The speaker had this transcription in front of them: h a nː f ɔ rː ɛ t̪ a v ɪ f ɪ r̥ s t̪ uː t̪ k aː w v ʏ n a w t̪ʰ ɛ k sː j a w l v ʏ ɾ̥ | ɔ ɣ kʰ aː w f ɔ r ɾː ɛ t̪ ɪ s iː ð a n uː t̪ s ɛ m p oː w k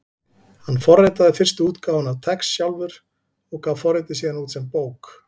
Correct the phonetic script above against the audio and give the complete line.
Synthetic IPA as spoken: h a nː f ɔ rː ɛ t̪ a ð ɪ f ɪ r̥ s t̪ uː t̪ k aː w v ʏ n a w t̪ʰ ɛ k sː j a w l v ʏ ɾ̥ | ɔ ɣ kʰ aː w f ɔ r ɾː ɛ t̪ ɪ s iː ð a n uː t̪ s ɛ m p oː w k